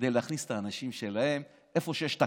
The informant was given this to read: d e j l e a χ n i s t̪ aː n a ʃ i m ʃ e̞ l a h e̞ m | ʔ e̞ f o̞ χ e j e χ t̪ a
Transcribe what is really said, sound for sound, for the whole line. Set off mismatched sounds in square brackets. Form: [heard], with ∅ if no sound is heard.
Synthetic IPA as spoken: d e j l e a χ n i s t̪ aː n a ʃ i m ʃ e̞ l a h e̞ m | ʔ e̞ f o̞ [ʃ] e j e [ʃ] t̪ a